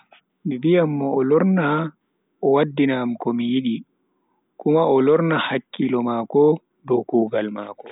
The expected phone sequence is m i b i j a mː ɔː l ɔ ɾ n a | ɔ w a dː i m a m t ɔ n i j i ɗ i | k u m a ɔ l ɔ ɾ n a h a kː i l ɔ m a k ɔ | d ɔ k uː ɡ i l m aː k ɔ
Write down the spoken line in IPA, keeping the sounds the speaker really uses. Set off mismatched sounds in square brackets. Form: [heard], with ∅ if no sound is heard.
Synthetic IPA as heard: m i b i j a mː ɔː l ɔ ɾ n a | ɔ w a dː i [n] a m [k] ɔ [m] i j i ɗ i | k u m a ɔ l ɔ ɾ n a h a kː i l ɔ m a k ɔ | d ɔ k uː ɡ [a] l m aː k ɔ